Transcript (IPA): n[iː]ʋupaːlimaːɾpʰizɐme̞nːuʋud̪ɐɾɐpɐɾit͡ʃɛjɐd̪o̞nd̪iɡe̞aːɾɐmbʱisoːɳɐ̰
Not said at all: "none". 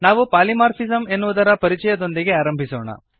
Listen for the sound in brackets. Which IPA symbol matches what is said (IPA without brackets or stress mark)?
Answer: aː